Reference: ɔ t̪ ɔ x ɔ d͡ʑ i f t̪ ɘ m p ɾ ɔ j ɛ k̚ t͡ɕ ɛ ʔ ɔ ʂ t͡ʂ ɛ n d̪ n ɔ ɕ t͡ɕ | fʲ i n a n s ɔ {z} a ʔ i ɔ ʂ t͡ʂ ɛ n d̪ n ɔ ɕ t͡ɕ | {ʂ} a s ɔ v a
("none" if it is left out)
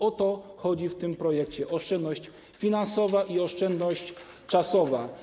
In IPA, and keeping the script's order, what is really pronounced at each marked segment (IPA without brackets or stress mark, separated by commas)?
v, t͡ʂ